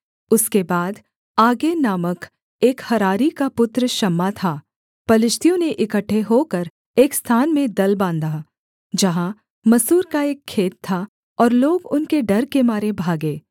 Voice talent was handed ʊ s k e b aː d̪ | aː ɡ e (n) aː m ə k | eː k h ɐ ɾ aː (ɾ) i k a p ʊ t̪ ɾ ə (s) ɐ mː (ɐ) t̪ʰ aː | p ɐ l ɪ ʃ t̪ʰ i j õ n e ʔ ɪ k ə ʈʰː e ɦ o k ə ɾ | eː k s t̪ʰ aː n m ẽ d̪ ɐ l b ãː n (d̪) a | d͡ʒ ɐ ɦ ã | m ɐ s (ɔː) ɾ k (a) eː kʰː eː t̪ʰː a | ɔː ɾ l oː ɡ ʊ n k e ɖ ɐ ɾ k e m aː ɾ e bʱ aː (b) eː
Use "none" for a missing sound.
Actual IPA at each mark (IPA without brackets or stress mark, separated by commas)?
n, ɾ, ʃ, a, d̪, uː, a, ɡ